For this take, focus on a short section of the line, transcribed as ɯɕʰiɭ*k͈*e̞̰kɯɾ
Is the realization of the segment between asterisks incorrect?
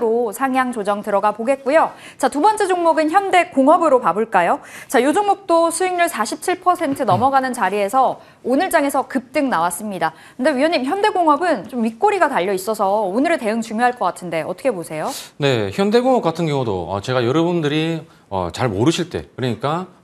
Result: yes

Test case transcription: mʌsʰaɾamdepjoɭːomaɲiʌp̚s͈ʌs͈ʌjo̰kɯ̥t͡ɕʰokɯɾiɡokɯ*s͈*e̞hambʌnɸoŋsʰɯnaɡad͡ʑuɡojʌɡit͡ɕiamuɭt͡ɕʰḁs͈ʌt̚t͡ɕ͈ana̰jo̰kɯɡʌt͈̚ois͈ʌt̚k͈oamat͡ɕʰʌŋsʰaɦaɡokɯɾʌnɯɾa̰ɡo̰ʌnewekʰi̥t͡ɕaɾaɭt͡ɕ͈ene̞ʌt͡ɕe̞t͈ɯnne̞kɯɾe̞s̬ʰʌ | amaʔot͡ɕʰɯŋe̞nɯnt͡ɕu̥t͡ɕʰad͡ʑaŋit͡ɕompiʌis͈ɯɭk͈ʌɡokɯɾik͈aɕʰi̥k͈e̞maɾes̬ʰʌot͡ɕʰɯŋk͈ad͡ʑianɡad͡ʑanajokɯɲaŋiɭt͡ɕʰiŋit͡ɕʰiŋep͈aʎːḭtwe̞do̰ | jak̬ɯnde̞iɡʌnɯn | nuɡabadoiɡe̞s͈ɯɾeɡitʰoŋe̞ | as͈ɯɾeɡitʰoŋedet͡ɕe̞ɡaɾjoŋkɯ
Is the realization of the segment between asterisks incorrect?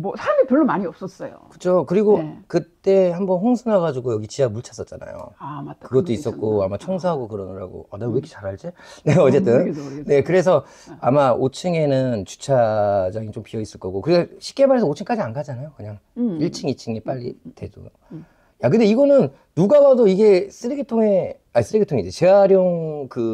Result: yes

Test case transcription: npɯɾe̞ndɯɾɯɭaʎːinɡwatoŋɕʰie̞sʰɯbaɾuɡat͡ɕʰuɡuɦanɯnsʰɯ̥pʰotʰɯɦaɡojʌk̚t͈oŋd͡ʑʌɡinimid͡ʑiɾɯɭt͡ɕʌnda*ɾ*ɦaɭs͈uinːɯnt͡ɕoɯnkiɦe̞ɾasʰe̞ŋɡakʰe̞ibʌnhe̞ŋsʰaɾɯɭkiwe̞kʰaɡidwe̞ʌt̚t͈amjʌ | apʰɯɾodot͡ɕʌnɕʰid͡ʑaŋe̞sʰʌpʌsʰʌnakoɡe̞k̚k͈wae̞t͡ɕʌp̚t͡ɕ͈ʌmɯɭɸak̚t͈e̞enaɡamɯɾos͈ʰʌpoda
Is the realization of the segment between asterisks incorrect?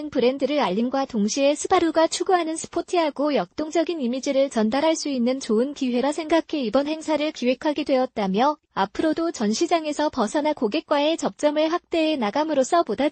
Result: no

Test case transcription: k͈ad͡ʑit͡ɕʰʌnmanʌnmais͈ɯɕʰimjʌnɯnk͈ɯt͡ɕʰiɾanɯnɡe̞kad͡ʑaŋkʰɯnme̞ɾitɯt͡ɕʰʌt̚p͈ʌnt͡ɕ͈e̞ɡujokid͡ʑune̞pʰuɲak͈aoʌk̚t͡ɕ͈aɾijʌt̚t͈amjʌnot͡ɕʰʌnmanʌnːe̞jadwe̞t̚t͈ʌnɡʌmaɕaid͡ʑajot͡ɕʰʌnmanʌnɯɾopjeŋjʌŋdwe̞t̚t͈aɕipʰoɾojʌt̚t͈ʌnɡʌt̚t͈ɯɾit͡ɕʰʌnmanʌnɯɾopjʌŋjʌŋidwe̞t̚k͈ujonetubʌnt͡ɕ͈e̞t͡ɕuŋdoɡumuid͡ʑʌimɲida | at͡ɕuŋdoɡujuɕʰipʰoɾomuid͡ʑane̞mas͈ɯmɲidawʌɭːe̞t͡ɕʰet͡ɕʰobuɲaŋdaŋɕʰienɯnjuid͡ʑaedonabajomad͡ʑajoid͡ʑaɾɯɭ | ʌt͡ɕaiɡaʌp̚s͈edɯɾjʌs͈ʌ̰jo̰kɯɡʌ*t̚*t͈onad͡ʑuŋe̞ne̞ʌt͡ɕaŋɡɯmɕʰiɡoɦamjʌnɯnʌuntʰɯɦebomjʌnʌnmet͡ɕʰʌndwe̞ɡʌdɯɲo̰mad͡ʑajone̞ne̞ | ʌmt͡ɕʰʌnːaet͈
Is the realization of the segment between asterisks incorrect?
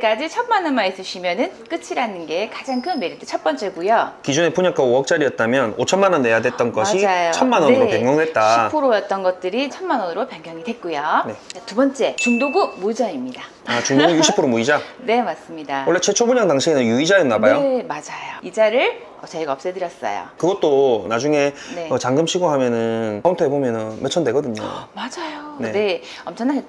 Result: no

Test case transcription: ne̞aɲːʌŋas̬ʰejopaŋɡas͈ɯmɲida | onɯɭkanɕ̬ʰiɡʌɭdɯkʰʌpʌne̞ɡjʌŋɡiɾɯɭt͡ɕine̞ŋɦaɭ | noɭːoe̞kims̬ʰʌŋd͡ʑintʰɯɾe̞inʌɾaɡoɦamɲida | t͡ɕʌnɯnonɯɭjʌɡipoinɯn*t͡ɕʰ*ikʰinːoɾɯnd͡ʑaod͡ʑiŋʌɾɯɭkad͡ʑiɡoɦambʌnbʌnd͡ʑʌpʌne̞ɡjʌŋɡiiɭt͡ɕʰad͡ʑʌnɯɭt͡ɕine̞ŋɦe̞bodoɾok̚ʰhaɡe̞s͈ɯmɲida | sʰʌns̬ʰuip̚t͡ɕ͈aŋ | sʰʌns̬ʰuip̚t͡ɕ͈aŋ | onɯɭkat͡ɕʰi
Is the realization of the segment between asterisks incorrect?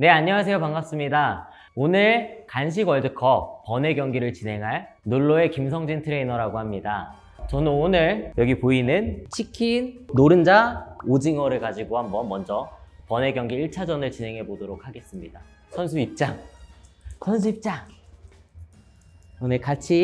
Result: no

